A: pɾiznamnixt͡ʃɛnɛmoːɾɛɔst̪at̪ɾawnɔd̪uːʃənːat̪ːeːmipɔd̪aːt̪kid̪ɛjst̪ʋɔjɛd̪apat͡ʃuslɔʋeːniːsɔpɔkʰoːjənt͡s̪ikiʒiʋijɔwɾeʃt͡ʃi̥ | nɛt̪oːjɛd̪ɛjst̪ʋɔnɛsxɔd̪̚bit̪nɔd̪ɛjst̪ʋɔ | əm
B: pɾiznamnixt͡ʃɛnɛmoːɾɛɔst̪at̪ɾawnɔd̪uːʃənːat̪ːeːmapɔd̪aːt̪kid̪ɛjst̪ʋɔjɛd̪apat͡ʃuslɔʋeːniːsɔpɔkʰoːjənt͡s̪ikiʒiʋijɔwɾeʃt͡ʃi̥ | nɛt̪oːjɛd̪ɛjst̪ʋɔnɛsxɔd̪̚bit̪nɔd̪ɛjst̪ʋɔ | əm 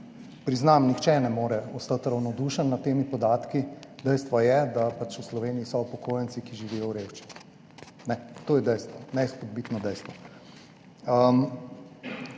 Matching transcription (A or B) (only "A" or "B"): A